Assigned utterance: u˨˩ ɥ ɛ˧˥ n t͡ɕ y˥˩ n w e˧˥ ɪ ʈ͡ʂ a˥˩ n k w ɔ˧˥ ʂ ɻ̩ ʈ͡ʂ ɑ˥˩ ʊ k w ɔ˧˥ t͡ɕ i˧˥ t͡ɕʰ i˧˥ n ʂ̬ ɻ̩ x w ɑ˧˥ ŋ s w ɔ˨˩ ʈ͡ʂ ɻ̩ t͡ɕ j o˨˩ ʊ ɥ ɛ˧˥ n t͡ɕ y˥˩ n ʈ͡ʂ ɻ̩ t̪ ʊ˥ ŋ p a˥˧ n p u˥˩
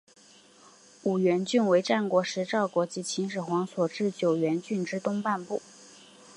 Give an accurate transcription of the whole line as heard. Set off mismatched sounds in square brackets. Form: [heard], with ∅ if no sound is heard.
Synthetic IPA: u˨˩ ɥ ɛ˧˥ n t͡ɕ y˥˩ n w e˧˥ ɪ ʈ͡ʂ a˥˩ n k w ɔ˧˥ ʂ ɻ̩ ʈ͡ʂ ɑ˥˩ ʊ k w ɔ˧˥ t͡ɕ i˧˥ t͡ɕʰ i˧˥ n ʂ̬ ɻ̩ x w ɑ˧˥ ŋ s w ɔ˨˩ ʈ͡ʂ ɻ̩ t͡ɕ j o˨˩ ʊ ɥ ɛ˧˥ n t͡ɕ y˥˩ n ʈ͡ʂ ɻ̩ t̪ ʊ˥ ŋ p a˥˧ n p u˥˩

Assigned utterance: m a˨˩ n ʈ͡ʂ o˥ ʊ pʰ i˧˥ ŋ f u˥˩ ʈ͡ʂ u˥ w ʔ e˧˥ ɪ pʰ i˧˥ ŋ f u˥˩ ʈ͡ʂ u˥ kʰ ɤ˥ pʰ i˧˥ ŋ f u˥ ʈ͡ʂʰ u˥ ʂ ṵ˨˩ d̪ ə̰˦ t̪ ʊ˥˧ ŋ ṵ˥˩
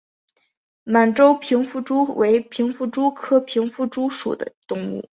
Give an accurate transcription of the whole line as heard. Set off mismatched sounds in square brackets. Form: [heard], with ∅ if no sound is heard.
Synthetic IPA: m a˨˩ n ʈ͡ʂ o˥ ʊ pʰ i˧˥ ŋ f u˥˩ ʈ͡ʂ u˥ w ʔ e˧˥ ɪ pʰ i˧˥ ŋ f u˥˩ ʈ͡ʂ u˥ kʰ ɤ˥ pʰ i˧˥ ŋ f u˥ [ʈ͡ʂ] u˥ ʂ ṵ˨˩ d̪ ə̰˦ t̪ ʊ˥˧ ŋ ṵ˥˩

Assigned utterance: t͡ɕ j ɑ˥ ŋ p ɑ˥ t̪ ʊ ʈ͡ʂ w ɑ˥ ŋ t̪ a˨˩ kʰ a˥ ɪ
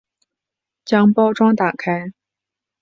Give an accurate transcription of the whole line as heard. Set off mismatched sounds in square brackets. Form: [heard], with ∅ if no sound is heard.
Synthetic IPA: t͡ɕ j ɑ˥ ŋ p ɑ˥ [∅] ʊ ʈ͡ʂ w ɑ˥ ŋ t̪ a˨˩ kʰ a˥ ɪ

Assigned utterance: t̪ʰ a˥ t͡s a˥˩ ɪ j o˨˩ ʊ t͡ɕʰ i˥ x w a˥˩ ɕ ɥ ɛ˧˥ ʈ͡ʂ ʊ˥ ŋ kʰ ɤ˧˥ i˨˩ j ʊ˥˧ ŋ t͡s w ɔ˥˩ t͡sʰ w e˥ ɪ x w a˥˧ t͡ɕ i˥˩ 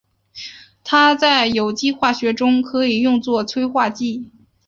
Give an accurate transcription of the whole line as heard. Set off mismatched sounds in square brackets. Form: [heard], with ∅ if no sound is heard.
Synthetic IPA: t̪ʰ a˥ t͡s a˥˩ ɪ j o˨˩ ʊ [t͡ɕ] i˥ x w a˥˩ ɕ ɥ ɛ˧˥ ʈ͡ʂ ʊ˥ ŋ kʰ ɤ˧˥ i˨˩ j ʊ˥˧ ŋ t͡s w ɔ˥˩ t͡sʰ w e˥ ɪ x w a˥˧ t͡ɕ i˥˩

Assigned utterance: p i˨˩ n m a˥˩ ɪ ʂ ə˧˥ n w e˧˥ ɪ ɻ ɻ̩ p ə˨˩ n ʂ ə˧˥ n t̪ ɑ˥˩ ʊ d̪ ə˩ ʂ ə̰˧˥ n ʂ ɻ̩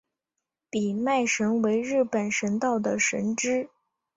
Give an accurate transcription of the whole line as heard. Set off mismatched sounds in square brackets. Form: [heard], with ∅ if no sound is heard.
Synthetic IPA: p i˨˩ [∅] m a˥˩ ɪ ʂ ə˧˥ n w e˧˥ ɪ ɻ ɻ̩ p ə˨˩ n ʂ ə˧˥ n t̪ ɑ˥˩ ʊ d̪ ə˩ ʂ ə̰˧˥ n [ʈ͡ʂ] ɻ̩

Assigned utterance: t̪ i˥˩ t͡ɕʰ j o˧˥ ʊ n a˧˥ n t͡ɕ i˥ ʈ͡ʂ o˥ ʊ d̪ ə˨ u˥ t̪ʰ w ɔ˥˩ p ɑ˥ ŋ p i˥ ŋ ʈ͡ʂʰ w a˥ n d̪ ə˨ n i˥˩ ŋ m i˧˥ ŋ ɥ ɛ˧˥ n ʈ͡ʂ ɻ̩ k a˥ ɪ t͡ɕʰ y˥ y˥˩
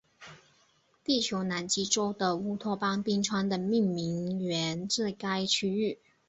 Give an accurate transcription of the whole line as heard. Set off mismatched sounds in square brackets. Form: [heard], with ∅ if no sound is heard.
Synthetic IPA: t̪ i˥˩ t͡ɕʰ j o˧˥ ʊ n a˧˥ n t͡ɕ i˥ ʈ͡ʂ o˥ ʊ d̪ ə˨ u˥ t̪ʰ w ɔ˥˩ p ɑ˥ ŋ p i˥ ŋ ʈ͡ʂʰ w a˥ n d̪ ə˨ [m] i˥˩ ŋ m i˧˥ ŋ ɥ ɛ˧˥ n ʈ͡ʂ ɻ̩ k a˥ ɪ t͡ɕʰ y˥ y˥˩

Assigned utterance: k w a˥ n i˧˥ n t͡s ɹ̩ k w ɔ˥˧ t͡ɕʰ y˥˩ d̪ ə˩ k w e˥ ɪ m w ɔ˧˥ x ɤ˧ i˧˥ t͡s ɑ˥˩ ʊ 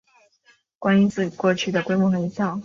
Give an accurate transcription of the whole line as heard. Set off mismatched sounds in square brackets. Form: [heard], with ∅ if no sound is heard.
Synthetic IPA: k w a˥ n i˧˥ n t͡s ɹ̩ k w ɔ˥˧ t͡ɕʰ y˥˩ d̪ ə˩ k w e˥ ɪ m w [ɔ˥˩] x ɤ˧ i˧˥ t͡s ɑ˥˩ ʊ

